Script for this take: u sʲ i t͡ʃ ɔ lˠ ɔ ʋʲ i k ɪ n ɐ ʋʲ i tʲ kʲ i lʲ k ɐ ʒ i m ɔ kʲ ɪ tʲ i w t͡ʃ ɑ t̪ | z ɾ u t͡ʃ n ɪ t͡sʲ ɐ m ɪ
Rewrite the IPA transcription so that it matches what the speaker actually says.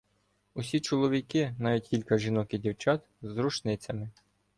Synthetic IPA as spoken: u sʲ i t͡ʃ ɔ lˠ ɔ ʋʲ i k ɪ n ɑ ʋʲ i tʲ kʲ i lʲ k ɐ ʒ i n ɔ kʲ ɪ dʲ i w t͡ʃ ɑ t̪ | z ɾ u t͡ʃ n ɪ t͡sʲ ɐ m ɪ